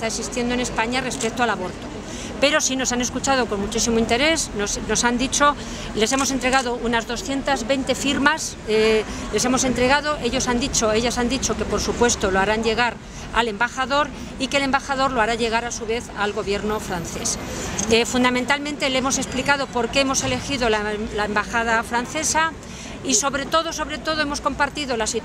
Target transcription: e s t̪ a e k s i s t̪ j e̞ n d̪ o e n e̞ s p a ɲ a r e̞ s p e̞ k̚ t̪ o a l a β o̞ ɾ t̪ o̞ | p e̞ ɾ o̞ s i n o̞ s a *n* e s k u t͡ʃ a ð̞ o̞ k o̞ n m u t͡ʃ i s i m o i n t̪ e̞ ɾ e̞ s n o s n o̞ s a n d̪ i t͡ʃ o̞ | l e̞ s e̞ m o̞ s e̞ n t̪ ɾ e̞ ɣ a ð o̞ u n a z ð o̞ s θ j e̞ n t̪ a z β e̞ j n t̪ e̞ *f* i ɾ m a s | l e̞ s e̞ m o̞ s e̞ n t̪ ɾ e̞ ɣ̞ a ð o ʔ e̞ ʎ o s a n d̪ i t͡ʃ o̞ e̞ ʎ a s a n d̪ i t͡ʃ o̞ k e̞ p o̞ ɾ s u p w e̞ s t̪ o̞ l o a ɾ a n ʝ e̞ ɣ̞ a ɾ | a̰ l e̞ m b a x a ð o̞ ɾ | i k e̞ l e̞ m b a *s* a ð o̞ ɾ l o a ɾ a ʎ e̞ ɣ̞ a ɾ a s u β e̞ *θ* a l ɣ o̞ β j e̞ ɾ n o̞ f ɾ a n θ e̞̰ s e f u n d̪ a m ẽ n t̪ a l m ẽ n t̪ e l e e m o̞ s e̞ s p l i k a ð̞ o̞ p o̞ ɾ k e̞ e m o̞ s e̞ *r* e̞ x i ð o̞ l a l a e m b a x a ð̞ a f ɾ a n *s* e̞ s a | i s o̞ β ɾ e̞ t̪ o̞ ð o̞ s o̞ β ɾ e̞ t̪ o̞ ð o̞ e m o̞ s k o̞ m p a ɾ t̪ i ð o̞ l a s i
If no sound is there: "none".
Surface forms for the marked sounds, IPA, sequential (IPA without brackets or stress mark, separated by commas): n, f, x, θ, l, θ